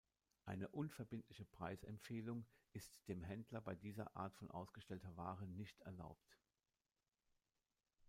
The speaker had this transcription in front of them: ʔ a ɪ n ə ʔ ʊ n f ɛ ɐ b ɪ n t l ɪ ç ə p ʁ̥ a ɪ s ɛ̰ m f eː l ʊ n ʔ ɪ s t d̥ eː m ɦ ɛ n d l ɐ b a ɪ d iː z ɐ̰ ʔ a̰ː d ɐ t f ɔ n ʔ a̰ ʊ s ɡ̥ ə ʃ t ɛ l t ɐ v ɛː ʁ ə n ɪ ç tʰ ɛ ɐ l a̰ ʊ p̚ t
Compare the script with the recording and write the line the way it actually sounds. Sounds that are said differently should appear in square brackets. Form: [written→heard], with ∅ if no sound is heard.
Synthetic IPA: ʔ a ɪ n ə ʔ ʊ n f ɛ ɐ b ɪ n t l ɪ ç ə p ʁ̥ a ɪ s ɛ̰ m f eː l ʊ [n→ŋ] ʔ ɪ s t d̥ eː m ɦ ɛ n d l ɐ b a ɪ d iː z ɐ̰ ʔ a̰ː [d→∅] ɐ t f ɔ n ʔ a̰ ʊ s ɡ̥ ə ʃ t ɛ l t ɐ v [ɛː→aː] ʁ ə n ɪ ç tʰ ɛ ɐ l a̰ ʊ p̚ t